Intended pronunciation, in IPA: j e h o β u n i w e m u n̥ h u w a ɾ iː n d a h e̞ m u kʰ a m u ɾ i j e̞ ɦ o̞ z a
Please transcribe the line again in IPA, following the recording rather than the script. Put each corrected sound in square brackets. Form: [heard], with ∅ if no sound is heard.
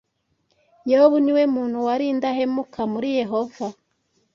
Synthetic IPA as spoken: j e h o β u n i w e m [uː] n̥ h u w a ɾ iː n d a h e̞ m u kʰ a m u ɾ i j e̞ ɦ o̞ [v] a